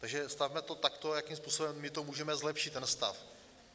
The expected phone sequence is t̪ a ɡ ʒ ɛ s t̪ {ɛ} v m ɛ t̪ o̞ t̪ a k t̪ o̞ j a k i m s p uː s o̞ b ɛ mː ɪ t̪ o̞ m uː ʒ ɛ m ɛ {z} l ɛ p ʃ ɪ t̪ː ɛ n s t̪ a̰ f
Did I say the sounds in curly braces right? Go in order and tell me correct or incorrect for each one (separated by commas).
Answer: incorrect, correct